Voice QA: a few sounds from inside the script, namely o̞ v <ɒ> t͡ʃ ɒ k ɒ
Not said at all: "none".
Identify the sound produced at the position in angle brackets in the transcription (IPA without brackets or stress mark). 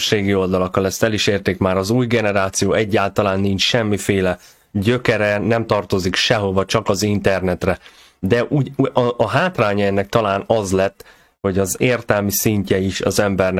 ɒ